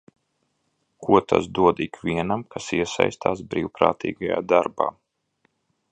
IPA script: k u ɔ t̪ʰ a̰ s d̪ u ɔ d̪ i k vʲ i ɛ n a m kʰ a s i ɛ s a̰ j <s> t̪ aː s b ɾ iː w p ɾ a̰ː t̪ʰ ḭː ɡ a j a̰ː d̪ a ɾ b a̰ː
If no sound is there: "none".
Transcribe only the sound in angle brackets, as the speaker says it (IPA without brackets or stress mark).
s